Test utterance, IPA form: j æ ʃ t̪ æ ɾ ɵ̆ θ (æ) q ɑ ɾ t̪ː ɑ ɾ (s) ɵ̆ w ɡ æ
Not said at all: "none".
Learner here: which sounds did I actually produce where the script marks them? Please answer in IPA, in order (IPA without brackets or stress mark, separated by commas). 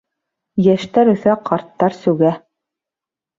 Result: æ, s